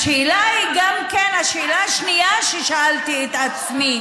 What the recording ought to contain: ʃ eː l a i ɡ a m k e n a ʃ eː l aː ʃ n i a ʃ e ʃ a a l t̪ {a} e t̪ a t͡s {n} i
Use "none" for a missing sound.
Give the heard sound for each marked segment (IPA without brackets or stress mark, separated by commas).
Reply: i, m